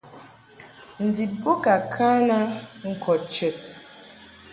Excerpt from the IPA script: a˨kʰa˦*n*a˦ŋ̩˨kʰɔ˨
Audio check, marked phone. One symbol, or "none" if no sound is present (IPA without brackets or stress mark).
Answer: n